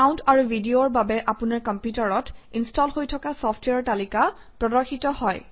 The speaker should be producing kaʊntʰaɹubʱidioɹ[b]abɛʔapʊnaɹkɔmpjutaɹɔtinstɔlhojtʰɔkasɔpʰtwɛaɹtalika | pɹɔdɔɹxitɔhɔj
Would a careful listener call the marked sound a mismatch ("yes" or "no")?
no